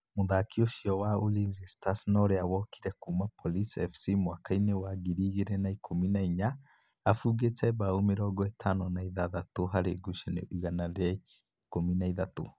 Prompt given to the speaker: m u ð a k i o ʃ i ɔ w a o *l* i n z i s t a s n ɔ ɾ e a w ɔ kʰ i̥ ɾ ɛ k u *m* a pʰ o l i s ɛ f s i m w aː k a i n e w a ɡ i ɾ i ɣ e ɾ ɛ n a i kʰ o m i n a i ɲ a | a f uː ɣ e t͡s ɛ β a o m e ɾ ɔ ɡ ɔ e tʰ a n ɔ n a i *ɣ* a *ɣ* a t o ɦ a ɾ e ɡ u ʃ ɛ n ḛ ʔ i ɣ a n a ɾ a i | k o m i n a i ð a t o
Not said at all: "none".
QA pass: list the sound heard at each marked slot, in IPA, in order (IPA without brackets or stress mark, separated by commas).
l, m, ð, ð